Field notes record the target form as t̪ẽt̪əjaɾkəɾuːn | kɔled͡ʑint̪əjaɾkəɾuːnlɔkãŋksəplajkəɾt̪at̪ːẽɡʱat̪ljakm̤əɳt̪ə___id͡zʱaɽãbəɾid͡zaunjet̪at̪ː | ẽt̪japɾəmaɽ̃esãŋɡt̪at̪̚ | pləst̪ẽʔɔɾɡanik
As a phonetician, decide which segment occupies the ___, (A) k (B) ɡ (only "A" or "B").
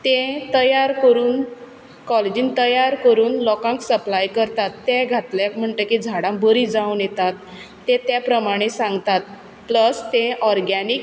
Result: A